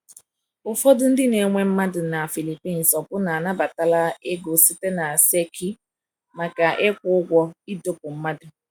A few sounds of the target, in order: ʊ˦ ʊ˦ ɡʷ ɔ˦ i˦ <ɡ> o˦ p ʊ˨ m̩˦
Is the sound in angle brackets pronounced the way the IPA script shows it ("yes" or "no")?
no